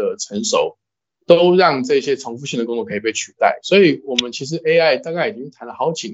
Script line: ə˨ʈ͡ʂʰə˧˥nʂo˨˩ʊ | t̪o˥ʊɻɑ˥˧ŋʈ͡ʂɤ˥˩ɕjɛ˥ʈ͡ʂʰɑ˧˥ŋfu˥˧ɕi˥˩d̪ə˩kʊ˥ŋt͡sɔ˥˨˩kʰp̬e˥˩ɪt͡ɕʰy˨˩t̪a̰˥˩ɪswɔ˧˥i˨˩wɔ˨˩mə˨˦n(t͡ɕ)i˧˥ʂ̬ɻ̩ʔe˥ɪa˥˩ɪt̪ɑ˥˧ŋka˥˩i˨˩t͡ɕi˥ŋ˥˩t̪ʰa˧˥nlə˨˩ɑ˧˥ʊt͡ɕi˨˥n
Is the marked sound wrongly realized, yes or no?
yes